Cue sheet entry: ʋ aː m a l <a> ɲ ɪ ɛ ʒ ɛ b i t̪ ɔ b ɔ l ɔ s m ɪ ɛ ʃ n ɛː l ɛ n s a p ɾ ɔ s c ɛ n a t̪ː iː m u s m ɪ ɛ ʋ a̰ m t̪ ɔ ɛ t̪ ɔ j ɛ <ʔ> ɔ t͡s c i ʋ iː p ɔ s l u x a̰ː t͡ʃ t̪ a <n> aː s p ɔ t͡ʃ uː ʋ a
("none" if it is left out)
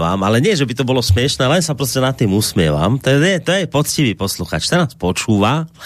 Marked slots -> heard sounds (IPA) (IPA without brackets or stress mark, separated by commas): ɛ, p, n